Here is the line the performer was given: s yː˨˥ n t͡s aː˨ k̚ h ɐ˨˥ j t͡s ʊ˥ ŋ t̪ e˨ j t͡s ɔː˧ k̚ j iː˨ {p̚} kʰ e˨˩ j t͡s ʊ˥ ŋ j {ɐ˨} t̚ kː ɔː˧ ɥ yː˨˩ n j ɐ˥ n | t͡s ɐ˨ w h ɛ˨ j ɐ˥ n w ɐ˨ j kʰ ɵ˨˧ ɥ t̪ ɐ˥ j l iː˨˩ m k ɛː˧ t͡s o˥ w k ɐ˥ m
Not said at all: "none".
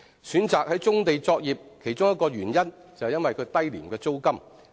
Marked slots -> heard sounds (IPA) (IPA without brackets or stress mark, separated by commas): p̚, ɐ˥